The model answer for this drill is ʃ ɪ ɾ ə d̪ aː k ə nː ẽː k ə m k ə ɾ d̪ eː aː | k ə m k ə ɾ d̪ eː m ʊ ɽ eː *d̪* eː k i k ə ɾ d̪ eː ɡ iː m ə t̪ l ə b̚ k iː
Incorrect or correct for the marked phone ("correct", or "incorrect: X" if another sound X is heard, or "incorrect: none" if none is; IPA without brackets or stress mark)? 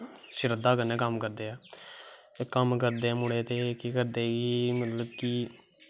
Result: incorrect: t̪